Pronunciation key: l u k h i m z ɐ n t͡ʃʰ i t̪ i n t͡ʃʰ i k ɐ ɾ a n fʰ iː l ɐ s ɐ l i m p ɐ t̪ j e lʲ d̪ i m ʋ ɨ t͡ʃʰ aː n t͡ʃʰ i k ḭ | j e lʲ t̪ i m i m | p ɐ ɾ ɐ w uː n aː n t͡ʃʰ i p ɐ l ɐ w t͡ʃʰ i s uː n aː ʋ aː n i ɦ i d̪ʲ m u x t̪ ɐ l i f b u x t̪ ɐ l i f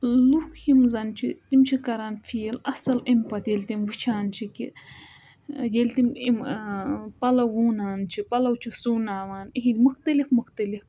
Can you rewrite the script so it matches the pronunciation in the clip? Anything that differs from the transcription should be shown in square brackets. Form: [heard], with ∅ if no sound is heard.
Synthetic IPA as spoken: l u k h i m z ɐ n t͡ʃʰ i t̪ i [m] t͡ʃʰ i k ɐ ɾ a n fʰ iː l ɐ s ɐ l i m p ɐ t̪ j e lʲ [t̪] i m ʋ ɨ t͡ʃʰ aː n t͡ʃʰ i k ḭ | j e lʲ t̪ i m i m | p ɐ [l] ɐ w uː n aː n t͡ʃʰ i p ɐ l ɐ w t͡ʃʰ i s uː n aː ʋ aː n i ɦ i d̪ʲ m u x t̪ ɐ l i f [m] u x t̪ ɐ l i f